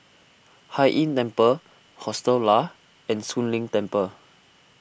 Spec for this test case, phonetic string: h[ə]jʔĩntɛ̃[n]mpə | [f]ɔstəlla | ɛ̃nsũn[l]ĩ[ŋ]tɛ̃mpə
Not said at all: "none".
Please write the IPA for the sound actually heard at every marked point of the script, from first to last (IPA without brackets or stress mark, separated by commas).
a, none, h, l, ŋ